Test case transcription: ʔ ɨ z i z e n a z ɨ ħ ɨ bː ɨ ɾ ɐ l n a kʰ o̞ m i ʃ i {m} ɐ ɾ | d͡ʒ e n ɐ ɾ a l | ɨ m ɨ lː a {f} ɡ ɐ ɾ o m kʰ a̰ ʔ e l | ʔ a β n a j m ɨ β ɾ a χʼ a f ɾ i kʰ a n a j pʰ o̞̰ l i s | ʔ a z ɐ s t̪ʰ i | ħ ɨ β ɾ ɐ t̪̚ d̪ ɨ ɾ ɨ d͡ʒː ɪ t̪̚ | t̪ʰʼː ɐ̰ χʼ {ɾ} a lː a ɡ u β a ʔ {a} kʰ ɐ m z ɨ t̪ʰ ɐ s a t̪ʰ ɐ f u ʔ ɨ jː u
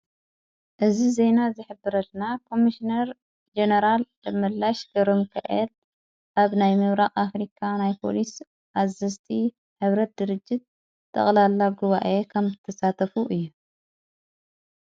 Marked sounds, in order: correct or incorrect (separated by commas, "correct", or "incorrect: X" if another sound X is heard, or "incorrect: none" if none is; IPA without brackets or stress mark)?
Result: incorrect: n, incorrect: ʃ, incorrect: l, incorrect: e